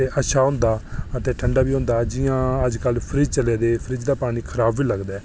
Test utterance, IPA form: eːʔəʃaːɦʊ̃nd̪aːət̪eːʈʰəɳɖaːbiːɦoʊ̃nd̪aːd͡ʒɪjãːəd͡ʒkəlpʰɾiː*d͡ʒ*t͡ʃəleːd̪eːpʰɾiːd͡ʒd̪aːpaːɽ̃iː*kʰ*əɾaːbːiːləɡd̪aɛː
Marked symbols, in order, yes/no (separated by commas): yes, yes